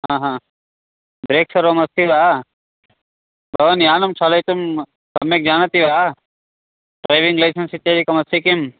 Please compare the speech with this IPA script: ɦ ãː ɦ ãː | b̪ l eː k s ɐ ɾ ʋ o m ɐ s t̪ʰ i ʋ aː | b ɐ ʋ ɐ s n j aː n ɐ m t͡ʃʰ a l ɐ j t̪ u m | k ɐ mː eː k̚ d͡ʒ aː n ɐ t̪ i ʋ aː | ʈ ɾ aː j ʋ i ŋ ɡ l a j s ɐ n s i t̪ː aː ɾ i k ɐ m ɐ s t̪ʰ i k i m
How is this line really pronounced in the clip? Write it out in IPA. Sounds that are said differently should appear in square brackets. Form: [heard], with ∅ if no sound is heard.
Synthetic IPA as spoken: ɦ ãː ɦ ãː | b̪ [ɾ] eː k s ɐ ɾ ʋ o m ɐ s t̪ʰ i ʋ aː | b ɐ ʋ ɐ [∅] n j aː n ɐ m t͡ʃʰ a l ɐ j t̪ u m | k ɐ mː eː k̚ d͡ʒ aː n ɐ t̪ i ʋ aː | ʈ ɾ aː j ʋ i ŋ ɡ l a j s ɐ n s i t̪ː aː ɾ i k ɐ m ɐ s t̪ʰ i k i m